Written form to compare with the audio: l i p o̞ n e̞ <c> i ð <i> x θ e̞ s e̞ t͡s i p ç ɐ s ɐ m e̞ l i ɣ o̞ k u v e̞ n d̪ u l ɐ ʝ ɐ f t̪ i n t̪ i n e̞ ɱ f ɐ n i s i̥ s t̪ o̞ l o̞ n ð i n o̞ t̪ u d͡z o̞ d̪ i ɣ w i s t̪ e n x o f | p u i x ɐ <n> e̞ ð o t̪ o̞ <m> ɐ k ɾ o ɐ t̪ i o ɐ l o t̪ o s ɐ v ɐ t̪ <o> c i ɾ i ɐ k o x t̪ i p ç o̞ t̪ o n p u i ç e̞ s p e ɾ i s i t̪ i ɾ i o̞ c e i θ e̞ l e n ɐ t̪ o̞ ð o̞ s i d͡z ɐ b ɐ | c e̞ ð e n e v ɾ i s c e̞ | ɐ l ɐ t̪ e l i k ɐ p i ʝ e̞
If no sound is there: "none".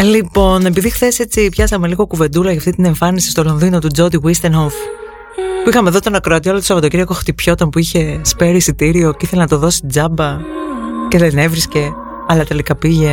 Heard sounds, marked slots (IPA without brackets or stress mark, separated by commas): p, i, m, n, o